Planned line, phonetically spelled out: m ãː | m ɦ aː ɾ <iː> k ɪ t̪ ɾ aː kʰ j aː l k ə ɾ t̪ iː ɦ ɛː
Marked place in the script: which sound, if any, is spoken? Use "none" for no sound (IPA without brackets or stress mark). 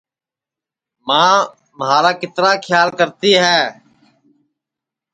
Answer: aː